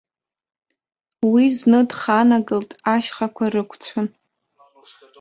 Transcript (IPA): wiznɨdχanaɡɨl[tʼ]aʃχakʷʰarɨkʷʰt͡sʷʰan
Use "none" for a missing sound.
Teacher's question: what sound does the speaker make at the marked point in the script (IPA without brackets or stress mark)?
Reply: tʼ